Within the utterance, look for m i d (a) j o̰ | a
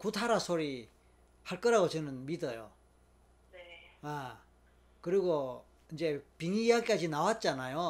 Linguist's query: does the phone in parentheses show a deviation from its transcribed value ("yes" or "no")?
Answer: yes